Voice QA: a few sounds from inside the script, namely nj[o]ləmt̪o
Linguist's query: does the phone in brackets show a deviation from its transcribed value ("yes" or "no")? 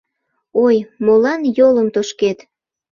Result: no